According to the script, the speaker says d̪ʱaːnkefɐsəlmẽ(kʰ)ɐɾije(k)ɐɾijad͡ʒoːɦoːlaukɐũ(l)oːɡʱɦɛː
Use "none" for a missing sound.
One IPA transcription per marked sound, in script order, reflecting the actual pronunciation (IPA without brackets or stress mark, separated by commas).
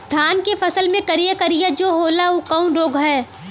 k, k, ɾ